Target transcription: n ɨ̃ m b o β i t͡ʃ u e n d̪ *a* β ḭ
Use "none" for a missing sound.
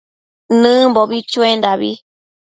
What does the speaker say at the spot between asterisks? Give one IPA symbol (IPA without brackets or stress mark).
a